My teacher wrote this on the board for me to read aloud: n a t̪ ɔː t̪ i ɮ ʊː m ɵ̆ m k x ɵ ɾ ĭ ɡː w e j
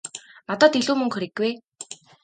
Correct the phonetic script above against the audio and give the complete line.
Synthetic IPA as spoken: n a t̪ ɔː t̪ i ɮ uː m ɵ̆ ŋ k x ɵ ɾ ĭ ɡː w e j

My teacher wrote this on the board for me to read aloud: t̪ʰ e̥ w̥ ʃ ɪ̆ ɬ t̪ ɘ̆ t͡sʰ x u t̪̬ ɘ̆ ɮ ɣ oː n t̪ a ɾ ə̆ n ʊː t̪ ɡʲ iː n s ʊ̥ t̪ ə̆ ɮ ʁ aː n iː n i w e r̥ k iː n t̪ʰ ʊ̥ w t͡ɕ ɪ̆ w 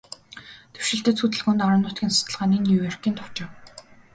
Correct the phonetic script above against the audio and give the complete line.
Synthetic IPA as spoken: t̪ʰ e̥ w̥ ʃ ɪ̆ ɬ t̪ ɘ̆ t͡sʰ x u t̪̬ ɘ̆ ɮ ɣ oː n t̪ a ɾ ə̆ n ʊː t̪ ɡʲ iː n s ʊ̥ t̪ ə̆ ɮ ʁ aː n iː n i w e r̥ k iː n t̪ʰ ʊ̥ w t͡ɕ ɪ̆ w

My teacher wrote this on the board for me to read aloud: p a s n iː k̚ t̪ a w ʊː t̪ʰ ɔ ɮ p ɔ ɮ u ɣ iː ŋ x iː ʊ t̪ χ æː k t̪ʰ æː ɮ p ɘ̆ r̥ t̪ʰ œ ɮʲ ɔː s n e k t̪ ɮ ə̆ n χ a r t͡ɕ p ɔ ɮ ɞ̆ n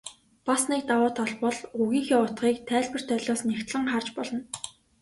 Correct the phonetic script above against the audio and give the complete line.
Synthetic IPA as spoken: p a s n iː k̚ t̪ a w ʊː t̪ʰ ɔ ɮ p ɔ ɮ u ɣ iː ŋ x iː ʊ t̪ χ iː k t̪ʰ æː ɮ p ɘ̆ r̥ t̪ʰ œ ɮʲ ɔː s n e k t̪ ɮ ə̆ ŋ χ a r t͡ɕ p ɔ ɮ ɞ̆ n

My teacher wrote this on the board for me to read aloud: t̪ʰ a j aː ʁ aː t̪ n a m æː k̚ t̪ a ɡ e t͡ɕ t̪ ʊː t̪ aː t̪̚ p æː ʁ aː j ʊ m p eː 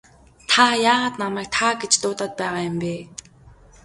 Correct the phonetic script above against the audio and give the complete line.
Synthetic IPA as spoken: t̪ʰ a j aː ʁ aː t̪ n a m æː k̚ t̪ʰ a ɡ e t͡ɕ t̪ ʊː t̪ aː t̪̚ p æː ʁ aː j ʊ m p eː

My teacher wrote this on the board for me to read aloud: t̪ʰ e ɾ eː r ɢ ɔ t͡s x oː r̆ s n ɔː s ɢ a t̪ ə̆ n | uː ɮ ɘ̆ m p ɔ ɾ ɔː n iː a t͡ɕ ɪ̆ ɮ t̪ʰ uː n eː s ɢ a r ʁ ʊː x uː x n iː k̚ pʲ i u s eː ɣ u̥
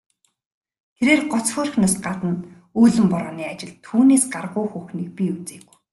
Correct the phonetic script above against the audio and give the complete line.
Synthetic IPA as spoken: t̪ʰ e ɾ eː r ɢ ɔ t͡s x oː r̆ x n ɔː s ɢ a t̪ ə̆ n | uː ɮ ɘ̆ m p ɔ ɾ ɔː n iː a t͡ɕ ɪ̆ ɮ t̪ʰ uː n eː s ɢ a r ʁ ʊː x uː x n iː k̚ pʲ i u t͡s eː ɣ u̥

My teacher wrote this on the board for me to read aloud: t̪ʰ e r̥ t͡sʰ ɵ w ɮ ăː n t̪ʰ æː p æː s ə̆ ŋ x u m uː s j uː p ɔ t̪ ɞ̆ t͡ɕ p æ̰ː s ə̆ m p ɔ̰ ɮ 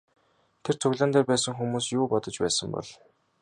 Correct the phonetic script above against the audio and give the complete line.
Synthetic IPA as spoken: t̪ʰ e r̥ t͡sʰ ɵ ɣ ɮ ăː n t̪ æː p æː s ə̆ ŋ x u m uː s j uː p ɔ t̪ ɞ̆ t͡ɕ p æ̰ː s ə̆ m p ɔ̰ ɮ

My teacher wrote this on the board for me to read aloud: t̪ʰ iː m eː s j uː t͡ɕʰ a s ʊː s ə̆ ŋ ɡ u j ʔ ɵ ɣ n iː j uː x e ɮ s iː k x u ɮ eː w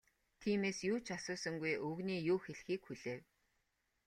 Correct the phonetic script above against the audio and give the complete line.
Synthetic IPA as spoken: t̪ʰ iː m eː s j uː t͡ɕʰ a s ʊː s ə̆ ŋ ɡ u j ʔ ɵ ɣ n iː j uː x e ɮ x iː k x u ɮ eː w

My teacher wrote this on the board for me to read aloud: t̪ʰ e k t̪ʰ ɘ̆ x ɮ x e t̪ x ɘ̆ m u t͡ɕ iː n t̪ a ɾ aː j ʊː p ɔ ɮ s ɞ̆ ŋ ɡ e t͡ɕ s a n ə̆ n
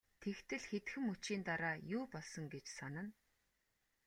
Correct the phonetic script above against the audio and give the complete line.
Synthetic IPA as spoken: t̪ʰ e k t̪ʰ ɘ̆ ɮ x e t̪ x ɘ̆ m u t͡ɕ iː n t̪ a ɾ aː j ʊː p ɔ ɮ s ɞ̆ ŋ ɡ e t͡ɕ s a n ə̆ n

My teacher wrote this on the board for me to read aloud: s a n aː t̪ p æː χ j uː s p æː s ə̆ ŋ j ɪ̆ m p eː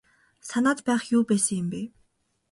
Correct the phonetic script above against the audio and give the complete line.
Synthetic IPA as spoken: s a n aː t̪ p æː χ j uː p æː s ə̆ ŋ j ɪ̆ m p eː

